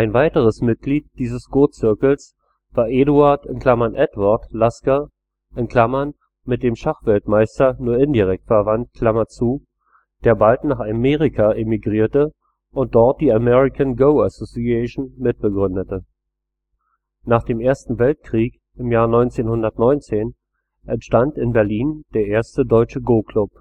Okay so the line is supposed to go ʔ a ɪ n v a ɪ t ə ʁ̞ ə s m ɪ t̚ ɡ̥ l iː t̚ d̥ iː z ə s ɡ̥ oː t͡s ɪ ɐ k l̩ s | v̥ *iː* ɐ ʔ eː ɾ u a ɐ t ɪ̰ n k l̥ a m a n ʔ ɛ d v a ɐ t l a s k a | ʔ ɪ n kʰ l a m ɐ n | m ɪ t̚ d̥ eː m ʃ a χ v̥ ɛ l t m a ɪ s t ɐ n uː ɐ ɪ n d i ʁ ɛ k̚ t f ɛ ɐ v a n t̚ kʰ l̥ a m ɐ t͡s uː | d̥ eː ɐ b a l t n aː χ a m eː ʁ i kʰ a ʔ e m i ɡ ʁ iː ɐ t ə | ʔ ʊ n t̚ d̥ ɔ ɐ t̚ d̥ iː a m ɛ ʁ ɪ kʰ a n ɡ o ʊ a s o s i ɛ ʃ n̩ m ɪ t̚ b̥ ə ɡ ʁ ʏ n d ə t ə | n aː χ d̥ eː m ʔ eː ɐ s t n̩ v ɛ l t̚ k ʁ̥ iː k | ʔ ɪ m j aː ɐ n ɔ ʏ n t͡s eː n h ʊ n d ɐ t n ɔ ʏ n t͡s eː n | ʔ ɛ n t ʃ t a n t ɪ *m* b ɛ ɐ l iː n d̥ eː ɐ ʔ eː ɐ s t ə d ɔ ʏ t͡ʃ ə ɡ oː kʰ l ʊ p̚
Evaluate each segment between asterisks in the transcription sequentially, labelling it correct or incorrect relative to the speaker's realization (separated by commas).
incorrect, incorrect